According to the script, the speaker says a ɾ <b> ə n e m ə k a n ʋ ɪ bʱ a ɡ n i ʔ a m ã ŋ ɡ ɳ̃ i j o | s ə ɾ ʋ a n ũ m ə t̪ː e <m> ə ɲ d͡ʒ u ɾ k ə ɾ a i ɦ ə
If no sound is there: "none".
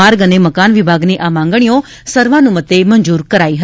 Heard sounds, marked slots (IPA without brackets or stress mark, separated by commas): ɡ, m